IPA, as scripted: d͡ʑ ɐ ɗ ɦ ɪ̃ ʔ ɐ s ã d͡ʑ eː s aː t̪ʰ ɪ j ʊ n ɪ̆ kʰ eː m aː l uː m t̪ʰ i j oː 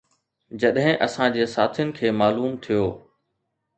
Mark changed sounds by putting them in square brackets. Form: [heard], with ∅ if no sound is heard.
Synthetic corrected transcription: d͡ʑ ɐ ɗ ɦ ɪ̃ ʔ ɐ s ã d͡ʑ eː s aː t̪ʰ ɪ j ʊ n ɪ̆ kʰ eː m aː l uː m t̪ʰ i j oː